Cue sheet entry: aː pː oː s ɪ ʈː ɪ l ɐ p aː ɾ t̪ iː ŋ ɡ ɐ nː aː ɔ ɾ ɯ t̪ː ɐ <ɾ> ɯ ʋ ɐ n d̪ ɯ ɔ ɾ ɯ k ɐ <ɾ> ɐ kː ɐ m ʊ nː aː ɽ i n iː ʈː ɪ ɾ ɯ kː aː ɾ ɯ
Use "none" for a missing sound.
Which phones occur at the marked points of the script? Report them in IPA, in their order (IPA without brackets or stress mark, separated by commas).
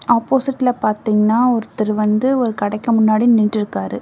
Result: ɾ, ɽ